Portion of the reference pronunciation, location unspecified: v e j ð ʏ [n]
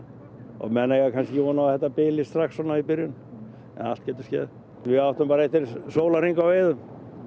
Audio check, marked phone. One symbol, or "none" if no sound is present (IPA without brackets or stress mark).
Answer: m